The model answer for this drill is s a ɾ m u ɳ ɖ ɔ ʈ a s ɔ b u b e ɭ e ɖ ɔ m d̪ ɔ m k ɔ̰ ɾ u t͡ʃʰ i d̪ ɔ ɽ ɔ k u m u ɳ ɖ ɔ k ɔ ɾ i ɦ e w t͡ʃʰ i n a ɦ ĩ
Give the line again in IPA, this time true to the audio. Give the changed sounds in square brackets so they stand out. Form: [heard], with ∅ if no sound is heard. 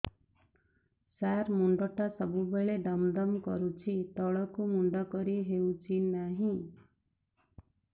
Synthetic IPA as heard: s a ɾ m u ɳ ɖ ɔ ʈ a s ɔ b u b e ɭ e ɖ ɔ m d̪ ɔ m k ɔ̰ ɾ u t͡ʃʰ i [t̪] ɔ [ɭ] ɔ k u m u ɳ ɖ ɔ k ɔ ɾ i ɦ e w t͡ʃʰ i n a ɦ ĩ